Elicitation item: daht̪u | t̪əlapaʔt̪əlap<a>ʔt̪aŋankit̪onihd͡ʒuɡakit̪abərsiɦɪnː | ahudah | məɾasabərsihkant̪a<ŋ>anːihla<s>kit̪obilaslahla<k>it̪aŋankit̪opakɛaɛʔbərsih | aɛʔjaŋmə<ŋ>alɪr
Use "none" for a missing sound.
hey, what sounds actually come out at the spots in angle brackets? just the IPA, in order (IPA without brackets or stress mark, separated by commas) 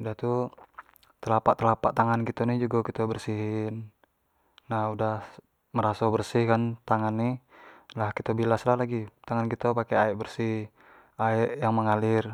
a, ŋ, h, ɡ, ŋ